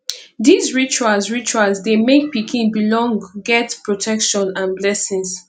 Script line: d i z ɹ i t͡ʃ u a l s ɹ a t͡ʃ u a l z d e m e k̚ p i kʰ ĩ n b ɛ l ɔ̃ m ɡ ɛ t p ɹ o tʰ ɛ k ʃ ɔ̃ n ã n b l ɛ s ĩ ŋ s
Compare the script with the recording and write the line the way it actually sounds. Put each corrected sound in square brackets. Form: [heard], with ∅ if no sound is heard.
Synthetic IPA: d i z ɹ i t͡ʃ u a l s ɹ [i] t͡ʃ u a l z d e m e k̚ p i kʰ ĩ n b [i] l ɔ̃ [ŋ] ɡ ɛ t p ɹ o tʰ ɛ k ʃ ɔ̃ n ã n b l ɛ s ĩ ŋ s